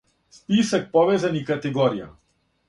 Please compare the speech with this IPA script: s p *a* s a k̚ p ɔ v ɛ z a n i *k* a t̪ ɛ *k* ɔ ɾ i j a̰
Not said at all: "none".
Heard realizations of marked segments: i, k, ɡ

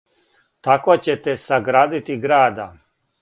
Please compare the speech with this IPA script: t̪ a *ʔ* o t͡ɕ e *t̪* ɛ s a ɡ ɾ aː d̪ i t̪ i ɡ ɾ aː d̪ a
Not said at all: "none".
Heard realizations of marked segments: k, t̪

